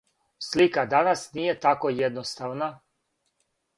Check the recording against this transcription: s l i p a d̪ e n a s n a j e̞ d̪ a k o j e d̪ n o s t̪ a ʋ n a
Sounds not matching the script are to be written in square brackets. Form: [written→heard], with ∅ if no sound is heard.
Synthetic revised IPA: s l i [p→k] a d̪ [e→a] n a s n [a→i] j e̞ [d̪→t̪] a k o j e d̪ n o s t̪ a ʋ n a